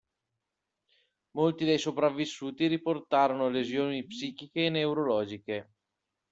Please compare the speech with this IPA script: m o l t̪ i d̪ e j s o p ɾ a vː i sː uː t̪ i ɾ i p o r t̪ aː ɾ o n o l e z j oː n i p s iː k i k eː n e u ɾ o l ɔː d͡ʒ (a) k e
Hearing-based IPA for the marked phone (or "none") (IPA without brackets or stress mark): i